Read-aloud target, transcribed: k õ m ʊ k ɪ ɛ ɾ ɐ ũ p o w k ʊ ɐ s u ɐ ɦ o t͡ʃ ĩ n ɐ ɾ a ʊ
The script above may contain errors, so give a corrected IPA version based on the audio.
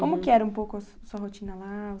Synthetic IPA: k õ m ʊ k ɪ ɛ ɾ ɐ ũ p o w k ʊ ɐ s u ɐ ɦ o t͡ʃ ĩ n ɐ l a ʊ